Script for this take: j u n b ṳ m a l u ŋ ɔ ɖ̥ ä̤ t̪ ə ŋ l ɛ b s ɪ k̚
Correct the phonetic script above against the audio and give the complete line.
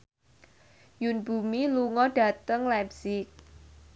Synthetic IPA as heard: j u n b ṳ m i l u ŋ ɔ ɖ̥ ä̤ t̪ ə ŋ l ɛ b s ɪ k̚